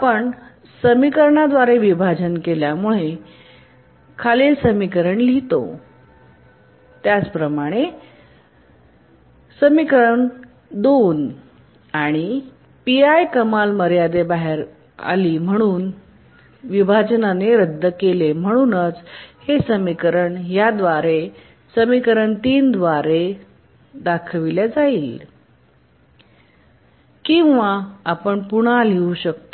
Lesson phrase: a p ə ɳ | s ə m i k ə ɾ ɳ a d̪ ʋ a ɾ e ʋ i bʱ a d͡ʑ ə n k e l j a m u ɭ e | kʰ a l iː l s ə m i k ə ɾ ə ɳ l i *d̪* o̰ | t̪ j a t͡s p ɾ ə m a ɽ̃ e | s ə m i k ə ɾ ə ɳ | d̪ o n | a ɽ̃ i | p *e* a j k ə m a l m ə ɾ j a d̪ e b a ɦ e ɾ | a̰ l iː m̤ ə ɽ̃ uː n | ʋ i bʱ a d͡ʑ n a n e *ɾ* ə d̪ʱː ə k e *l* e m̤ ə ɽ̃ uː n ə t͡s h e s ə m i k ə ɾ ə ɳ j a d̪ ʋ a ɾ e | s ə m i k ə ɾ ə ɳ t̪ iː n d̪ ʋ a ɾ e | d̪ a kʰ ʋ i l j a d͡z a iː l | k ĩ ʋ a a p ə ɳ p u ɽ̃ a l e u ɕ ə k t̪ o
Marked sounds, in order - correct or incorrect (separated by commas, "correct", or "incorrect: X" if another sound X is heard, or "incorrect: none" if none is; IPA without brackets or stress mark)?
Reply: incorrect: t̪, incorrect: i, correct, correct